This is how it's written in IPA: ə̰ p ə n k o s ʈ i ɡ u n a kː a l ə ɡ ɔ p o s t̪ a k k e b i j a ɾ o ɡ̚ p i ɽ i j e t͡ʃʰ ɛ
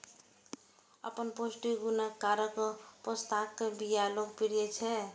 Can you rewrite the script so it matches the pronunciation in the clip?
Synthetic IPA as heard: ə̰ p ə n p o s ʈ i ɡ u n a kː a ɾ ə k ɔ p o s t̪ a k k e b i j a l o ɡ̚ p i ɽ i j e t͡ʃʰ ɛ